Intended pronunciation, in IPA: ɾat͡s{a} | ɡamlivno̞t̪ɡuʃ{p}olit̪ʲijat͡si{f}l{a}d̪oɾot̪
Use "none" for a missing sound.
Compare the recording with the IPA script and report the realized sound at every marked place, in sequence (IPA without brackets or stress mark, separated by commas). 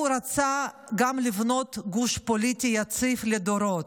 a, p, f, e